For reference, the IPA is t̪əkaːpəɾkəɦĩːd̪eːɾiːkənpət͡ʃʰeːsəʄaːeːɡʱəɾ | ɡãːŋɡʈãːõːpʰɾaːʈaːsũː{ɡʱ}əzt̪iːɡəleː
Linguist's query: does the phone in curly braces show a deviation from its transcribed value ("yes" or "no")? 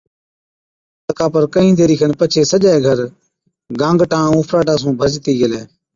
yes